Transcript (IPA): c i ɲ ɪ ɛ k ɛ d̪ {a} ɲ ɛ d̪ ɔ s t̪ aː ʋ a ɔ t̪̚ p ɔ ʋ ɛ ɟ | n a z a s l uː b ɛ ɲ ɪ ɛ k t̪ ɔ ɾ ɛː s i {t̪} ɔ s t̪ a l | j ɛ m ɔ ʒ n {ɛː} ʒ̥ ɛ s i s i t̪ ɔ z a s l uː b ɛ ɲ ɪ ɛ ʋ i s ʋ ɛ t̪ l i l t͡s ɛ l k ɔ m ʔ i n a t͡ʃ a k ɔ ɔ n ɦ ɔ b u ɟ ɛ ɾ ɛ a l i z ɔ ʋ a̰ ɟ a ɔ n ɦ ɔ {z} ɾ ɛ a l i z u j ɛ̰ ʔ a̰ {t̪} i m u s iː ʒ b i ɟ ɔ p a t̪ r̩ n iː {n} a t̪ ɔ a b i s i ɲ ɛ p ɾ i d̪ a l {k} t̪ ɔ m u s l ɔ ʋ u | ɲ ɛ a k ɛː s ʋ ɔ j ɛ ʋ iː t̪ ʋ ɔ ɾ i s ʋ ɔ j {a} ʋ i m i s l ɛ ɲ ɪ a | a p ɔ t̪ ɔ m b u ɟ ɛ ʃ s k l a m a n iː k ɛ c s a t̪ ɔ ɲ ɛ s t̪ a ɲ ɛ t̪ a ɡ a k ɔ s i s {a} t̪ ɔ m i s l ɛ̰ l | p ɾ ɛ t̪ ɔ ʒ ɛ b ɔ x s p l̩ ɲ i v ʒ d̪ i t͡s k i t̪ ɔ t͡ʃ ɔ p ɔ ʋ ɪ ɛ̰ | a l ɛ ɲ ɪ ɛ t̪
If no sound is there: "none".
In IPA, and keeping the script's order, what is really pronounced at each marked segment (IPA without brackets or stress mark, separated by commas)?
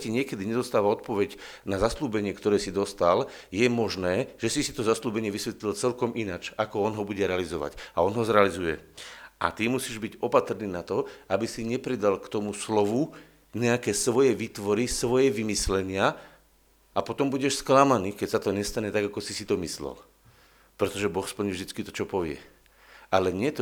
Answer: i, d̪, ɛː, z, t̪, n, k, ɛ, i